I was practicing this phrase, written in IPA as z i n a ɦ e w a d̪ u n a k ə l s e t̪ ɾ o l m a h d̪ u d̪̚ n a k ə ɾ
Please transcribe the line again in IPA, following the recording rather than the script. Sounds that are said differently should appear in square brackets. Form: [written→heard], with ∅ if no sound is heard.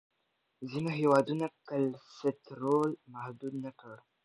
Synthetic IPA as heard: z i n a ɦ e w a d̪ u n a k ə l s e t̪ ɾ o l m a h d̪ u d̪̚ n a k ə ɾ